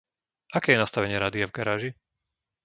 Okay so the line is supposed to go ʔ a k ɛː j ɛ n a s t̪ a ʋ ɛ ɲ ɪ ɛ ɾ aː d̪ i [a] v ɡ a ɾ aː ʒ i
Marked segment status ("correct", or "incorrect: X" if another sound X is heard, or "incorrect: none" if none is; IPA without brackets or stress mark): correct